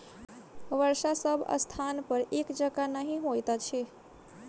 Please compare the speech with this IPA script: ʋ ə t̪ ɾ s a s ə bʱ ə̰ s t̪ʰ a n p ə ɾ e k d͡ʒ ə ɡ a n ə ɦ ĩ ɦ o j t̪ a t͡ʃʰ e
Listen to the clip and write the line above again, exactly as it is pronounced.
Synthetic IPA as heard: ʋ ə ɾ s a s ə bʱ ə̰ s t̪ʰ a n p ə ɾ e k d͡ʒ ə ɡ a n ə ɦ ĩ ɦ o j t̪ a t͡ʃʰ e